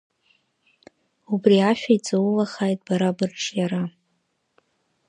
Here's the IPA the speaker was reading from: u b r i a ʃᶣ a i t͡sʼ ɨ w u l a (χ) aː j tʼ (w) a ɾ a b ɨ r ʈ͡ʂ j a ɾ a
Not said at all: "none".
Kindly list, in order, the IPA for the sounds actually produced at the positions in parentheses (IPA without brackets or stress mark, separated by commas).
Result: χ, b